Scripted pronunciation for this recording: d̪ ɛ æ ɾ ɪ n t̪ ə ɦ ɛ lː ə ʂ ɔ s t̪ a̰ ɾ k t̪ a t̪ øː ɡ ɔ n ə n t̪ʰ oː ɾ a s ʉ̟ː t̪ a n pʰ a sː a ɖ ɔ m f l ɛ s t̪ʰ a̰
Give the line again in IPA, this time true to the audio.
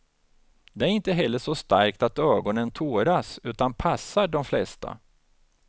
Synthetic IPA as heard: d̪ ɛ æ ɾ ɪ n t̪ ə ɦ ɛ lː ə ʂ ɔ s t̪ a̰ ɾ k t̪ a t̪ øː ɡ ɔ n ə n t̪ʰ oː ɾ a s ʉ̟ː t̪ a n pʰ a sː a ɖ ɔ m f l ɛ s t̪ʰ a̰